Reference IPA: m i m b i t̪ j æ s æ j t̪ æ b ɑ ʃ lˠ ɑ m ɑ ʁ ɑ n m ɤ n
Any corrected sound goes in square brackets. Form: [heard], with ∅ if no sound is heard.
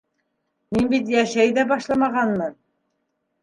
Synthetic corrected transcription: m i [n] b i t̪ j æ [ʃ] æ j [d̪] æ b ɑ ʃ lˠ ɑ m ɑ ʁ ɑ n m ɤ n